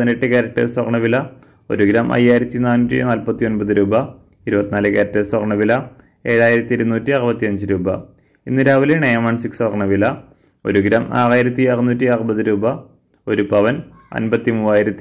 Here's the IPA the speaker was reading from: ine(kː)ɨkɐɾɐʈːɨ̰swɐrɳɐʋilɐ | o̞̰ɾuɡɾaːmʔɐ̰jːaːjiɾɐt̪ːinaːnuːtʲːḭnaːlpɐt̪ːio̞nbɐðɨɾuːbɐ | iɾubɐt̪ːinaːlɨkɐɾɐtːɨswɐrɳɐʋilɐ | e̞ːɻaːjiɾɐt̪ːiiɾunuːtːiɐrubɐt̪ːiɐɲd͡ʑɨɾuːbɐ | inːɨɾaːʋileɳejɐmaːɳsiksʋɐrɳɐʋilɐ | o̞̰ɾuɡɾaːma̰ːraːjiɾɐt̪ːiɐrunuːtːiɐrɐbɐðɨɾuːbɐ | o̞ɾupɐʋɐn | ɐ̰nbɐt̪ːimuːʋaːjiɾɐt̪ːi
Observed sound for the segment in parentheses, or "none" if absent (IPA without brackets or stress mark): ʈː